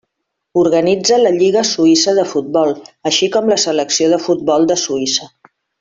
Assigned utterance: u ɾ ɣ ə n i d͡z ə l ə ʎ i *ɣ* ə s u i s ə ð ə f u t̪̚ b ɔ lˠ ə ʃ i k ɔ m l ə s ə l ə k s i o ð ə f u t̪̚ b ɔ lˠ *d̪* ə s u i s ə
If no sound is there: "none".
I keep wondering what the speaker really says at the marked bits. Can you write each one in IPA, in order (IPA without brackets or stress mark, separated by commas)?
ɣ, d̪